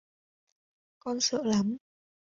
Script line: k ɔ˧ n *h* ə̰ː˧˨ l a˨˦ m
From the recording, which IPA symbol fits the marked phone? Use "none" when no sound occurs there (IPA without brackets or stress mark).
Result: s